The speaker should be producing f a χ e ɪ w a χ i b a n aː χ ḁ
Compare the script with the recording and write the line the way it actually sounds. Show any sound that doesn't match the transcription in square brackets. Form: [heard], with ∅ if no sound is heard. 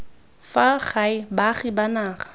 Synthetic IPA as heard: f a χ [a] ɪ [b] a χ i b a n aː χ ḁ